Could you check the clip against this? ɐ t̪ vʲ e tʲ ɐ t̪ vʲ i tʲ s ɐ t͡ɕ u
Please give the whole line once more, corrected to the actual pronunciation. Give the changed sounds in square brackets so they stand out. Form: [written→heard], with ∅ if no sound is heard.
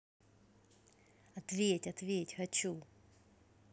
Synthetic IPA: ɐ t̪ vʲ e tʲ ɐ t̪ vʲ [i→e] tʲ [s→x] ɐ t͡ɕ u